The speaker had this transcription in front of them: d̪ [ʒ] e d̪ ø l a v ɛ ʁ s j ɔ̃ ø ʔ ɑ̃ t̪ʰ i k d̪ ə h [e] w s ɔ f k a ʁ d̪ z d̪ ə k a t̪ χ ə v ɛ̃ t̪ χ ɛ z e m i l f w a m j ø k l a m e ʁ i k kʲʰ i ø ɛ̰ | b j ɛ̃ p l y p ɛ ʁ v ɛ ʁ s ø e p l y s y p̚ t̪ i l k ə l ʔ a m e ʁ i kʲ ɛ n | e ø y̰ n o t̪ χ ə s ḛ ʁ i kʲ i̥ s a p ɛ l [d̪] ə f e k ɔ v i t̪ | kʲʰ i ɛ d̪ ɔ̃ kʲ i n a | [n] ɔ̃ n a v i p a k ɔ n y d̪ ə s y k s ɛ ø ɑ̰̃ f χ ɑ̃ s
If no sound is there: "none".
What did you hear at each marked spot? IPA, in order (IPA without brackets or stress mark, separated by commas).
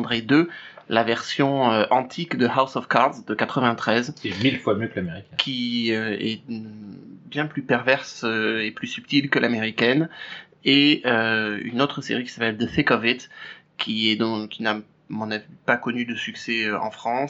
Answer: ʁ, a, d̪, m